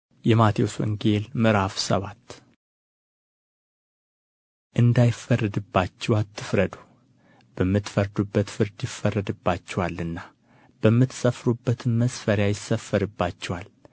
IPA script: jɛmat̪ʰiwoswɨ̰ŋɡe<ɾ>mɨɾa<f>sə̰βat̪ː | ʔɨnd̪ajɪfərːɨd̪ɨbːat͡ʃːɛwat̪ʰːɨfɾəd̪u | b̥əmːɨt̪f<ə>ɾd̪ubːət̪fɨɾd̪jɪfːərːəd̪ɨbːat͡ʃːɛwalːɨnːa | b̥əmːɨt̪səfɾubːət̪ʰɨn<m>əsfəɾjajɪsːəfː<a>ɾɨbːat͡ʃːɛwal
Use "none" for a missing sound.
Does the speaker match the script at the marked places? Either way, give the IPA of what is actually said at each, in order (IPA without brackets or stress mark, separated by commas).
l, f, ə, m, ə